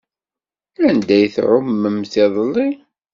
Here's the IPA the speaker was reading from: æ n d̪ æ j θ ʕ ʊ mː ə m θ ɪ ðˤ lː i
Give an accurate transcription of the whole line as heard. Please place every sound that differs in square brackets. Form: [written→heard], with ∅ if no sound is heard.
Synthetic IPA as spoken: æ n d̪ æ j θ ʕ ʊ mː ə m θ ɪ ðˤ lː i